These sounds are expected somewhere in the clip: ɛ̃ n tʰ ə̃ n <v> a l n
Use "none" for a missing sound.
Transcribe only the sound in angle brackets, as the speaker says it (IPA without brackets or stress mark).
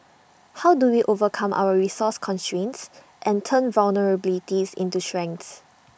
v